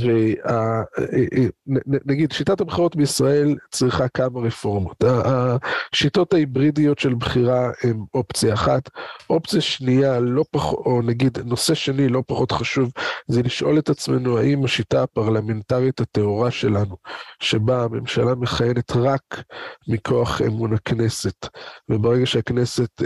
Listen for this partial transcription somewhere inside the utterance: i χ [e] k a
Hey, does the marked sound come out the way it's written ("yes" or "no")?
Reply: no